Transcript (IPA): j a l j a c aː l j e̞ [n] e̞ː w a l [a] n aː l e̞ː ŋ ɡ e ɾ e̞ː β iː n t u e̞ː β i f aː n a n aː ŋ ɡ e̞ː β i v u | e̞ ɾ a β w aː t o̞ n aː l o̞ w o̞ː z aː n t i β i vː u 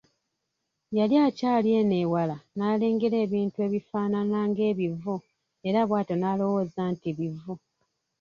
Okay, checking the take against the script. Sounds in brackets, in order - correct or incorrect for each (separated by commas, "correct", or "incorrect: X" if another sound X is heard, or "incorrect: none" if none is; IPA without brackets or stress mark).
correct, correct